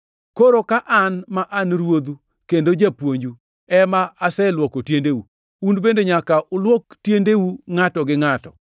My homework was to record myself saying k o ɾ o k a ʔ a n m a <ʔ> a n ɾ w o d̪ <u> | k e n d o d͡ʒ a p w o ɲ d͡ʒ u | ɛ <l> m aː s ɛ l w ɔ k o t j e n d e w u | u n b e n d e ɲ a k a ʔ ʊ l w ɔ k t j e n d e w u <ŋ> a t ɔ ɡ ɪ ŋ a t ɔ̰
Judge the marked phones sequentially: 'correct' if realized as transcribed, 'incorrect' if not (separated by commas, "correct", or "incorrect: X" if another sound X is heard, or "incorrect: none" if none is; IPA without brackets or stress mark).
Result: correct, correct, incorrect: none, correct